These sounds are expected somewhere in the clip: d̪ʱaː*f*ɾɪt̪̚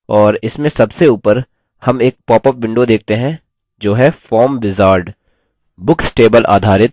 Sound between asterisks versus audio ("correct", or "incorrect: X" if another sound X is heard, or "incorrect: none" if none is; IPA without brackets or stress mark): incorrect: none